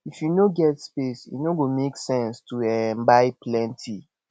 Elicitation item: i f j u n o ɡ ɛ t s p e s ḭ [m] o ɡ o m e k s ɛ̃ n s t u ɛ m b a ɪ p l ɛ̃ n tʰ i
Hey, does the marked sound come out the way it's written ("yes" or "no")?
no